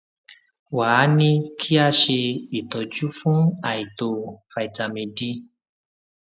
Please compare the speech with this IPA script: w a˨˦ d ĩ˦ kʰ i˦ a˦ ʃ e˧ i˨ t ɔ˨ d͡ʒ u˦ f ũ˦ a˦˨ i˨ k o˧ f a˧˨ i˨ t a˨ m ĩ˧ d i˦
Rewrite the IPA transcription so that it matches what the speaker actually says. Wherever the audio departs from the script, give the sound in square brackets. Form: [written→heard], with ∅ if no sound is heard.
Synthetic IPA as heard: w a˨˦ [d→n] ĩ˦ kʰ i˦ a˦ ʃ e˧ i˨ t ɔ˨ d͡ʒ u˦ f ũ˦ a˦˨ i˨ [k→t] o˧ f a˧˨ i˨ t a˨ m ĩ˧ d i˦